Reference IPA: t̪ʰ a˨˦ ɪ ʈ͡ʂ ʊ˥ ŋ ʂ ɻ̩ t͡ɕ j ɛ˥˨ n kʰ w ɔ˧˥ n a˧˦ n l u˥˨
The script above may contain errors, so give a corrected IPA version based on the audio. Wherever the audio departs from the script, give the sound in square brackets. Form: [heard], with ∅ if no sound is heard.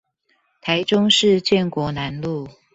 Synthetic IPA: t̪ʰ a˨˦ ɪ ʈ͡ʂ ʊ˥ ŋ ʂ ɻ̩ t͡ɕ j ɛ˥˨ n [k] w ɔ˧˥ n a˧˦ n l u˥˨